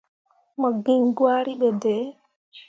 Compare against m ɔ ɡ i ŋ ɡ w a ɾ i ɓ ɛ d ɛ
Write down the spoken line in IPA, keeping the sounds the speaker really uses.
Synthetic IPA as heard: m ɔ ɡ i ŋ ɡ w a ɾ i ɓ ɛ d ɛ